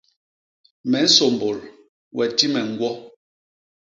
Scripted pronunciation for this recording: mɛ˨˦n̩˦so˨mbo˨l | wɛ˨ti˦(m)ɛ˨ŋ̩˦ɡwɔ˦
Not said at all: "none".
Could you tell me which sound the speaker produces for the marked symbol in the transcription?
m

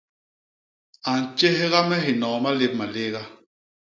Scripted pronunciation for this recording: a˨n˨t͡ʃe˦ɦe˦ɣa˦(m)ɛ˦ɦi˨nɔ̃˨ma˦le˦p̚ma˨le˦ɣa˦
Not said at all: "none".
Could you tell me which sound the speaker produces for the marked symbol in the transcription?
m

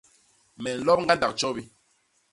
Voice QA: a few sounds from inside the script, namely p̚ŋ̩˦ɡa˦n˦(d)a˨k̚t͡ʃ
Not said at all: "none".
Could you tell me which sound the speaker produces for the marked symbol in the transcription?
d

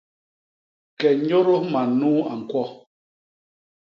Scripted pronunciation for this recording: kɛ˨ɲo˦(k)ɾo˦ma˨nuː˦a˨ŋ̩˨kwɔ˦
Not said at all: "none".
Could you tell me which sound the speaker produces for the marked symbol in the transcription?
none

